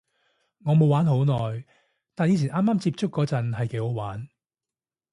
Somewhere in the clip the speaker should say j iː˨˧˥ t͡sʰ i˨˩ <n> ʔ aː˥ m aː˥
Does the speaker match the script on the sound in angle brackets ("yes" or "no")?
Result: yes